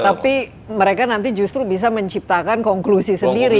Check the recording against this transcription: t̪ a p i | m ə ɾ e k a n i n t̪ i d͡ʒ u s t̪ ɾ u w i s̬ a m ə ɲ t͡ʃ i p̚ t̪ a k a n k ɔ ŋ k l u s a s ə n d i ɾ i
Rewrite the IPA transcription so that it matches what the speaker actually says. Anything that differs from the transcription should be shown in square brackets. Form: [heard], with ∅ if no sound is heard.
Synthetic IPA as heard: t̪ a p i | m ə ɾ e k a n [a] n t̪ i d͡ʒ u s t̪ ɾ u [b] i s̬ a m ə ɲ t͡ʃ i p̚ t̪ a k a n k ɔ ŋ k l u s [i] s ə n d i ɾ i

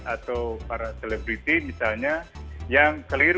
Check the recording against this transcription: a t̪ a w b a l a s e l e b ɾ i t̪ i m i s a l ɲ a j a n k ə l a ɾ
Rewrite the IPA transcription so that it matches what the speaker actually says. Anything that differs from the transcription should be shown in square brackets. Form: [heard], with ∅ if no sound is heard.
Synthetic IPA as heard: a t̪ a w [p] a [ɾ] a s e l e b ɾ i t̪ i m i s a l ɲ a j a [ŋ] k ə l [i] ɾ

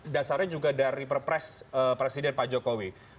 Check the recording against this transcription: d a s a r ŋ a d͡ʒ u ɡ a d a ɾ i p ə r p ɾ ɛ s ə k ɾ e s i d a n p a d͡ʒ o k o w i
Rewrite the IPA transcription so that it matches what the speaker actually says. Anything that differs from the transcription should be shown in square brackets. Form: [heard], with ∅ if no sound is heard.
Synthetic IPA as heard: d a s a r [ɲ] a d͡ʒ u ɡ a d a ɾ i p ə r p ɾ ɛ s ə [p] ɾ e s i d [ɛ] n p a d͡ʒ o k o w i

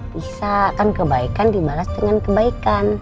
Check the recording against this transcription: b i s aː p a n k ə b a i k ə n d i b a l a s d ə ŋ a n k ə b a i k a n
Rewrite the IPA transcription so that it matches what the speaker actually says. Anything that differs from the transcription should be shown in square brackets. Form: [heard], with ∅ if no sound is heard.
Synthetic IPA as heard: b i s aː [k] a n k ə b a i k [a] n d i b a l a s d ə ŋ a n k ə b a i k a n

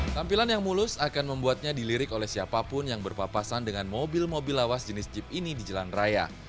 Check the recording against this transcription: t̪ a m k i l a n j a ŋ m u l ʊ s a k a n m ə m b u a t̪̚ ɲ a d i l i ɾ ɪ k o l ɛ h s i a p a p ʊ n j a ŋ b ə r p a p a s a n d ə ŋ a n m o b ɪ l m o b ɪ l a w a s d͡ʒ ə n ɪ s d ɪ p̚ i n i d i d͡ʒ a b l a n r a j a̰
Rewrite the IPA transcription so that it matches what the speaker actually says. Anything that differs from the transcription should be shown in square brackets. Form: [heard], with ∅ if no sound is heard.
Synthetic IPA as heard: t̪ a m [p] i l a n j a ŋ m u l ʊ s a k a n m ə m b u a t̪̚ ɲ a d i l i ɾ ɪ k o l ɛ h s i a p a p ʊ n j a ŋ b ə r p a p a s a n d ə ŋ a n m o b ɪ l m o b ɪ l a w a s d͡ʒ ə n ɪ s [d͡ʒ] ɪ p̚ i n i d i d͡ʒ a [∅] l a n r a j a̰

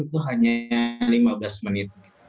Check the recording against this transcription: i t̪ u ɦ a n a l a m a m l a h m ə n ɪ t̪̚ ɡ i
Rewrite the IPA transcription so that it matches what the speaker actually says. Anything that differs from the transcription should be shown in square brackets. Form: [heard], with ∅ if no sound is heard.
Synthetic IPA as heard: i t̪ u ɦ a [ɲ] a l [i] m a [b] l a [s] m ə n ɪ t̪̚ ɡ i

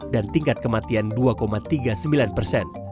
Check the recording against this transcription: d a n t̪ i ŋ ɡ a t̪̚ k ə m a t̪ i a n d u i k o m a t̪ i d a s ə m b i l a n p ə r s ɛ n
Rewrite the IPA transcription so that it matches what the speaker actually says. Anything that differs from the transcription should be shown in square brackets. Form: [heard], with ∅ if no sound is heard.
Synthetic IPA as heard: d a n t̪ i ŋ [k] a t̪̚ k ə m a t̪ i a n d u [a] k o m a t̪ i [ɡ] a s ə m b i l a n p ə r s ɛ n

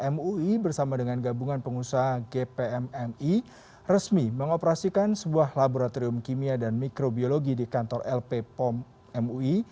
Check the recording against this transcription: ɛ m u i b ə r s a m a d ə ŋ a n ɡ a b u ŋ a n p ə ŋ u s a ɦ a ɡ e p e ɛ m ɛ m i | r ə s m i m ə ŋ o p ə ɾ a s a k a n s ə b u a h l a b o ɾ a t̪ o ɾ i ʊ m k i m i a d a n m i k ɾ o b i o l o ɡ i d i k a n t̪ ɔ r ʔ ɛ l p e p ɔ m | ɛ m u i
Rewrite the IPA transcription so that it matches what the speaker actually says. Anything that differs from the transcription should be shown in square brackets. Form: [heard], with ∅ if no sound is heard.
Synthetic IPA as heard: ɛ m u i b ə r s a m a d ə ŋ a n ɡ a b u ŋ a n p ə ŋ u s a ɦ a ɡ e p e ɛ m ɛ m i | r ə s m i m ə ŋ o p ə ɾ a s [i] k a n s ə b u a h l a b o ɾ a t̪ o ɾ i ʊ m k i m i a d a n m i k ɾ o b i o l o ɡ i d i k a n t̪ ɔ r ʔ ɛ l p e p ɔ m | ɛ m u i

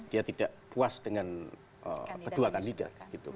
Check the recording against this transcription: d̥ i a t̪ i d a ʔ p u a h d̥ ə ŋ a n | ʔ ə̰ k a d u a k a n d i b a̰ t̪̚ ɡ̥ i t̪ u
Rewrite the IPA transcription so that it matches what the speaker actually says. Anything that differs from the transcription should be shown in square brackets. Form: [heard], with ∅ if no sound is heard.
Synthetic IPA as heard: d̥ i a t̪ i d a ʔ p u a [s] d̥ ə ŋ a n | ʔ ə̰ k [ə] d u a k a n d i [d] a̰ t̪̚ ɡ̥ i t̪ u

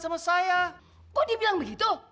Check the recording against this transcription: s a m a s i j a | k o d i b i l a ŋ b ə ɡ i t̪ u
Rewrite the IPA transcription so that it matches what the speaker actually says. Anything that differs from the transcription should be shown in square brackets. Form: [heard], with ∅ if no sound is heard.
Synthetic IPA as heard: s a m a s [a] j a | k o d i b i l a ŋ b ə ɡ i t̪ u

